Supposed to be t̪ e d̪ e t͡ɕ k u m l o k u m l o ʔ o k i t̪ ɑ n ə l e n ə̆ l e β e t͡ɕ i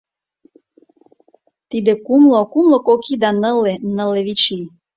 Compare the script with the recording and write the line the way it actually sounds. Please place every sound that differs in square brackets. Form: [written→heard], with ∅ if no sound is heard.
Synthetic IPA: t̪ [e→i] d̪ e [t͡ɕ→∅] k u m l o k u m l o [ʔ→k] o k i [t̪→d̪] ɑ n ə l e n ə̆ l e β [e→i] t͡ɕ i